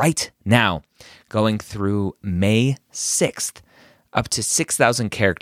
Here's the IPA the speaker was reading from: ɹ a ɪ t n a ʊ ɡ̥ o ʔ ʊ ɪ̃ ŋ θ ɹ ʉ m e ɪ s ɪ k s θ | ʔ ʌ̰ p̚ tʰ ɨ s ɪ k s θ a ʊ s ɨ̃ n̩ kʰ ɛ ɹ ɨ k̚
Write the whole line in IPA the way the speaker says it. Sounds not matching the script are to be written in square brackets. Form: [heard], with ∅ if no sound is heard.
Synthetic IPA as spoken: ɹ a ɪ t n a ʊ ɡ̥ o [∅] ʊ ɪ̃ ŋ θ ɹ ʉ m e ɪ s ɪ k s θ | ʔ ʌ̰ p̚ tʰ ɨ s ɪ k s θ a ʊ [z] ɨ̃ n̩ kʰ ɛ ɹ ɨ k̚